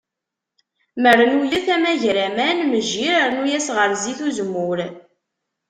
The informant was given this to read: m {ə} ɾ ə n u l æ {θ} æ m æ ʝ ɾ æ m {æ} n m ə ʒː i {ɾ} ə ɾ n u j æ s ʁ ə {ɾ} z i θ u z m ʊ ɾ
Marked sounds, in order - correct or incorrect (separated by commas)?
correct, correct, correct, correct, correct